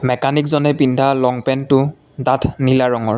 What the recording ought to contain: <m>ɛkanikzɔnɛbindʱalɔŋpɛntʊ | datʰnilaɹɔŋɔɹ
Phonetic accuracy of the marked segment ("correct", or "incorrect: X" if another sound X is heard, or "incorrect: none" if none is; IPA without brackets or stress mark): correct